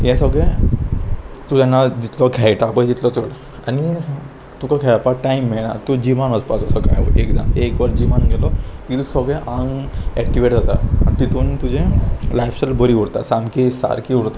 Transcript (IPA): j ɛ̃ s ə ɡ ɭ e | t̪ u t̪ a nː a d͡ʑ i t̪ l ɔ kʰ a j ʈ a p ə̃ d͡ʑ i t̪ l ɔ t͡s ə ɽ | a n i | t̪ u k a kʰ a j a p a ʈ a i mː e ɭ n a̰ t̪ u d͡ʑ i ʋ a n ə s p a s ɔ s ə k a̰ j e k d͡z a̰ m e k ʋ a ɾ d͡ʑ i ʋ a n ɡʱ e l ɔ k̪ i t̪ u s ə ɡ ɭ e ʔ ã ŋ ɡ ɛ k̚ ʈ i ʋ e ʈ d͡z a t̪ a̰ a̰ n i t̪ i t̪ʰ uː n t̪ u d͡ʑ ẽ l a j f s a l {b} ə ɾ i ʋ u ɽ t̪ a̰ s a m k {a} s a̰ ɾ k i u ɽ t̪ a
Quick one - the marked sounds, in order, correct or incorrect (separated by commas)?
correct, incorrect